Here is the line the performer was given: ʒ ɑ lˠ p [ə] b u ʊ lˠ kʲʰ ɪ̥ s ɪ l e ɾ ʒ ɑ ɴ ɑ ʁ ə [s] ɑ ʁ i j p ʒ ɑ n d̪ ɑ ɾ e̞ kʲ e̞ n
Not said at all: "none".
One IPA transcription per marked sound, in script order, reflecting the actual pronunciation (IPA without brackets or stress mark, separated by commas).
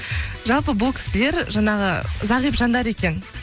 ə, z